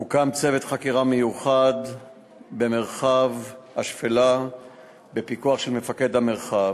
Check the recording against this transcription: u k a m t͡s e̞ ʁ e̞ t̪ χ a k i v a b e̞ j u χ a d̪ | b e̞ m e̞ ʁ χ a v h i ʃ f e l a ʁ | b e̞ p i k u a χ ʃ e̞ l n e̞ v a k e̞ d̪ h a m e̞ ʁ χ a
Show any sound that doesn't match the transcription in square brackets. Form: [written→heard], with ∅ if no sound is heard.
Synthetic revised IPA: u k a m t͡s e̞ [ʁ→v] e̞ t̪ χ a k i [v→ʁ] a [b→m] e̞ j u χ a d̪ | b e̞ m e̞ ʁ χ a v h [i→a] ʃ f e l a [ʁ→∅] | b e̞ p i k u a χ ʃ e̞ l [n→m] e̞ [v→f] a k e̞ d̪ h a m e̞ ʁ χ a